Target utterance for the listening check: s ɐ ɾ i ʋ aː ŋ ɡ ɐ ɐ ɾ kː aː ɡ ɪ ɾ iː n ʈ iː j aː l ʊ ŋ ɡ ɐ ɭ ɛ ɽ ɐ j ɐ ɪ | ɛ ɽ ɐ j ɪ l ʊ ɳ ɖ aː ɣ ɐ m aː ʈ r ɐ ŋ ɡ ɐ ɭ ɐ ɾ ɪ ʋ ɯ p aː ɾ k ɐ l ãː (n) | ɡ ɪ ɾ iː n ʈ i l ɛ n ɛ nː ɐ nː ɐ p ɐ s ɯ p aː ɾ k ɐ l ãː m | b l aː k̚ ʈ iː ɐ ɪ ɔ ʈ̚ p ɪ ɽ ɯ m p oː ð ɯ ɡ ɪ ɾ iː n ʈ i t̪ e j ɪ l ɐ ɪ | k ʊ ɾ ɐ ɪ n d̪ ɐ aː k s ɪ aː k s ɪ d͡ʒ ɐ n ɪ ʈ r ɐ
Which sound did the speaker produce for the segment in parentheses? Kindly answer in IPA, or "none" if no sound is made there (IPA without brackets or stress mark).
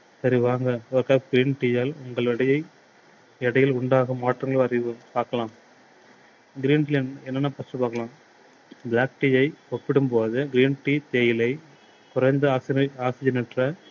m